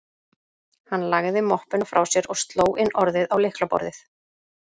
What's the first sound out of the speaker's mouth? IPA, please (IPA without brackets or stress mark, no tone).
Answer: h